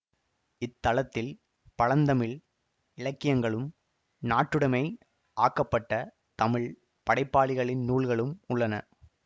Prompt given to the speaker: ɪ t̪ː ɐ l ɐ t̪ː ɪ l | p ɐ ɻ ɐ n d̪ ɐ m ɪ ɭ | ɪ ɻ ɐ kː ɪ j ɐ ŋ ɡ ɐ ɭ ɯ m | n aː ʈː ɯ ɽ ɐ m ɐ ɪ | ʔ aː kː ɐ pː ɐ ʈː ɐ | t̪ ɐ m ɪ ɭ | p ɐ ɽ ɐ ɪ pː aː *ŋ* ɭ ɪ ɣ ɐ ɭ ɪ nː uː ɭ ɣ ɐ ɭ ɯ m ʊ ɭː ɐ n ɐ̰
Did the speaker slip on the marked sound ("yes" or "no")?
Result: yes